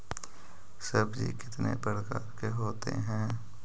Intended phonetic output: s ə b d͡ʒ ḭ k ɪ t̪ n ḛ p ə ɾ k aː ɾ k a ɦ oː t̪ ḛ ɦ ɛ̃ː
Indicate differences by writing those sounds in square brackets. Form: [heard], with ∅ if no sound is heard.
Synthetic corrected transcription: s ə b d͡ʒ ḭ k ɪ t̪ n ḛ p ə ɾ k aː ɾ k [e] ɦ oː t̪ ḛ ɦ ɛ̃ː